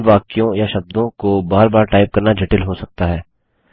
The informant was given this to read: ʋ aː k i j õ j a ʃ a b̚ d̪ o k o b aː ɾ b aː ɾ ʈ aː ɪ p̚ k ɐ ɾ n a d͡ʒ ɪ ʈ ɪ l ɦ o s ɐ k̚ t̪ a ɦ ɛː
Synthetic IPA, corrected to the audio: ʋ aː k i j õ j a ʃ ɐ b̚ d̪ õ k o b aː ɾ b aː ɾ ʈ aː ɪ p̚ k ɐ ɾ n a d͡ʒ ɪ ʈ ɪ l ɦ o s ɐ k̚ t̪ a ɦ ɛː